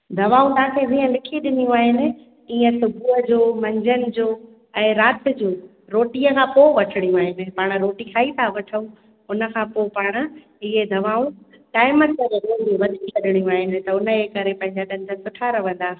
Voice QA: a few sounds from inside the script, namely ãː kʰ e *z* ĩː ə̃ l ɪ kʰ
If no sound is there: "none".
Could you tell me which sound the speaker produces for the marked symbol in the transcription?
z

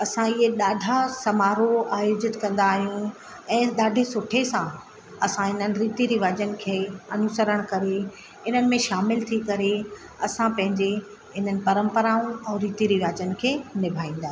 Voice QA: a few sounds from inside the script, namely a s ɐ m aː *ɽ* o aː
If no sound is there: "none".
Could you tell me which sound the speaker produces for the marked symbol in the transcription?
ɾ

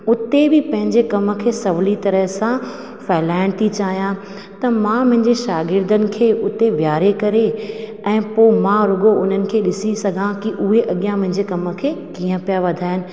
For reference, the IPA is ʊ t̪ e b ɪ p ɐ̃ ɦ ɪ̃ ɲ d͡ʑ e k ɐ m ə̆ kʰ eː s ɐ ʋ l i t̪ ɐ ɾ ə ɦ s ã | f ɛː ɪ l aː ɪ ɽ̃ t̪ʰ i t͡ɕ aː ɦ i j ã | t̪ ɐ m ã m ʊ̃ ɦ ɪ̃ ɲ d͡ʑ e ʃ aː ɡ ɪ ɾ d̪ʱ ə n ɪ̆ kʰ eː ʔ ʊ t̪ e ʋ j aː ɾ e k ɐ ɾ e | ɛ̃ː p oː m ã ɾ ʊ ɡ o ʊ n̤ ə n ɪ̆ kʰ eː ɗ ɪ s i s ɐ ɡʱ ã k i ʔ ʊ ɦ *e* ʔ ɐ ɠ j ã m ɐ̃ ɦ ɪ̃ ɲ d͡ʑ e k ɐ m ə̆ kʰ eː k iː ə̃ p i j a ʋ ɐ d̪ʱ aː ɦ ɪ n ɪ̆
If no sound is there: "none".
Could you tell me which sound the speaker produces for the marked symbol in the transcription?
e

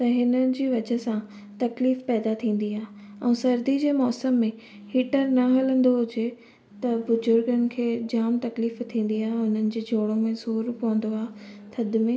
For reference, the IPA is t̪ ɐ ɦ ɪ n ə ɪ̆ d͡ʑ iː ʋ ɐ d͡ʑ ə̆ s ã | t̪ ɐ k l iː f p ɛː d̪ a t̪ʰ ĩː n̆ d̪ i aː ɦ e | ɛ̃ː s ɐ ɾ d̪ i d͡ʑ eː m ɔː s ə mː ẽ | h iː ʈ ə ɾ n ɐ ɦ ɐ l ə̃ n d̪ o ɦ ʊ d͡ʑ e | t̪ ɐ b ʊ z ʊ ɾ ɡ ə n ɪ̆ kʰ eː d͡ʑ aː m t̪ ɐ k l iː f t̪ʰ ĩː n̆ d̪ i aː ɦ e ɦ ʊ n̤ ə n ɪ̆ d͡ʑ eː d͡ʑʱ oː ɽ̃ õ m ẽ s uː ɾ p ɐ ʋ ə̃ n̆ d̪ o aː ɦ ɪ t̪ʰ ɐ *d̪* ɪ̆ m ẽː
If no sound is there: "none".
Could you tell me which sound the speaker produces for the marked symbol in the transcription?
d̪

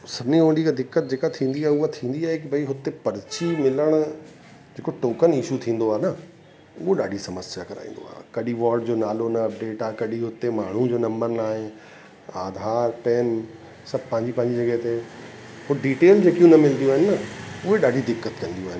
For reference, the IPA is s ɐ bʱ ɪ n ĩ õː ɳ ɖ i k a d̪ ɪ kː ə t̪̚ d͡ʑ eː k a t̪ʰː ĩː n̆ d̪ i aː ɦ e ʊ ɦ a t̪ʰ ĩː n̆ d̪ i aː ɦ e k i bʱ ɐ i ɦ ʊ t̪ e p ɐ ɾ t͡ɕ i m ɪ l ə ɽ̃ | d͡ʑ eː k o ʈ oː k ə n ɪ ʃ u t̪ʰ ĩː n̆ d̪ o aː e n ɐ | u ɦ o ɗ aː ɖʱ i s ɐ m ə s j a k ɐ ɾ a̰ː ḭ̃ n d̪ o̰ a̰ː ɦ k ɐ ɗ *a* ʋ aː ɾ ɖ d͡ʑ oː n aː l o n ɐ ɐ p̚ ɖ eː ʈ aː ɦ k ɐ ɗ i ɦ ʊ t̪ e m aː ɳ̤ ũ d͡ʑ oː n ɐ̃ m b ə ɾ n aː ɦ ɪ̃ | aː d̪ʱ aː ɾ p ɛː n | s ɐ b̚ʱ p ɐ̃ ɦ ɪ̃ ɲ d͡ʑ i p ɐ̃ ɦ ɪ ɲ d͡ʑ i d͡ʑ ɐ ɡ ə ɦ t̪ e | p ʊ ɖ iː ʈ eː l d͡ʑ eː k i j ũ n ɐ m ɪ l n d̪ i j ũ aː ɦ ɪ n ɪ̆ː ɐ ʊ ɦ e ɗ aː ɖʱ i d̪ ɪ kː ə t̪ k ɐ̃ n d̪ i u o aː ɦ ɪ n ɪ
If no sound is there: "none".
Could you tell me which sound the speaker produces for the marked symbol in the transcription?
i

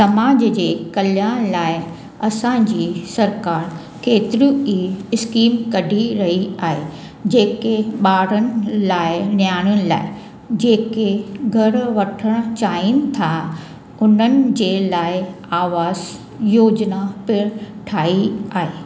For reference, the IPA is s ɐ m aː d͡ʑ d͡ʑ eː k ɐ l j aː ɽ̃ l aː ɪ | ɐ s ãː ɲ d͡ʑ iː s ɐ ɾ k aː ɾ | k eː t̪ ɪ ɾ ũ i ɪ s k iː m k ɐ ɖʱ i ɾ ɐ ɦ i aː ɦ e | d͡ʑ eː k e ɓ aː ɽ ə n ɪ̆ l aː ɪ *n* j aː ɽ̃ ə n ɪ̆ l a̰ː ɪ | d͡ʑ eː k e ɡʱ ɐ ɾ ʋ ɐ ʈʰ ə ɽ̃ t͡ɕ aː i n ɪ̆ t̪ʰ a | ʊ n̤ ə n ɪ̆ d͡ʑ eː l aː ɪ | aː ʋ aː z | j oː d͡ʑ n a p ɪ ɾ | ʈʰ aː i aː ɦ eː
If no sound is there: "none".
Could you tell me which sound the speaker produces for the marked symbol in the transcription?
n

